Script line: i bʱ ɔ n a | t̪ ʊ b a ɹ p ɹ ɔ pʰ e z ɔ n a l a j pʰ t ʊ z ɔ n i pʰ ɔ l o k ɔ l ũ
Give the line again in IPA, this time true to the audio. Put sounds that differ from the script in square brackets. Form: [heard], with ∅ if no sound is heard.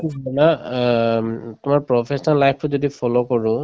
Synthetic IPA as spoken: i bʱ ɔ n a | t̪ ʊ [m] a ɹ p ɹ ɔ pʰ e [s] ɔ n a l a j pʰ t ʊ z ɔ [d] i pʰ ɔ l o k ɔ [ɹ] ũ